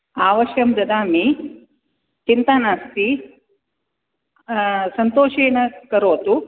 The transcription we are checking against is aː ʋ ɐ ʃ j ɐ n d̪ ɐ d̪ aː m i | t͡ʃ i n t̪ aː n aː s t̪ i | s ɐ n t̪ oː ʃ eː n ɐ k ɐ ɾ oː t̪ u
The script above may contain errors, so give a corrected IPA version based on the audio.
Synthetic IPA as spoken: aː ʋ ɐ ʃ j ɐ m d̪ ɐ d̪ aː m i | t͡ʃ i n t̪ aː n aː s t̪ i | s ɐ n t̪ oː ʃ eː n ɐ k ɐ ɾ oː t̪ u